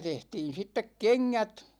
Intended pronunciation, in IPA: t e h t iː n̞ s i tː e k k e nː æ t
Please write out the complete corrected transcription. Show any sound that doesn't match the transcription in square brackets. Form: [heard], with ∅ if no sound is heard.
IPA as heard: t e h t iː n̞ s i tː e k k e [ŋː] æ t